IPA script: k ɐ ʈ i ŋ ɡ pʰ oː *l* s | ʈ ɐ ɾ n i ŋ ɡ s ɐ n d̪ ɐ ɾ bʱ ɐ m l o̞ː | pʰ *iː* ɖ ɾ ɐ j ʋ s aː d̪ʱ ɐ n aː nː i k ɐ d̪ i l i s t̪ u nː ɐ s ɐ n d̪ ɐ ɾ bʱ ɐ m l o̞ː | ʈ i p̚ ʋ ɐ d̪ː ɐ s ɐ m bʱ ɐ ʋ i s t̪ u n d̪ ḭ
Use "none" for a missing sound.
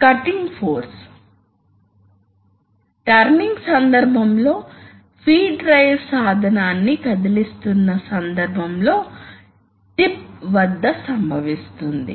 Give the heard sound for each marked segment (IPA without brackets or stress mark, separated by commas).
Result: ɾ, iː